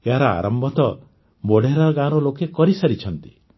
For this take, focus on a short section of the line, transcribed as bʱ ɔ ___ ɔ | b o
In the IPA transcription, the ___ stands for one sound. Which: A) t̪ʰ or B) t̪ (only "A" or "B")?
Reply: B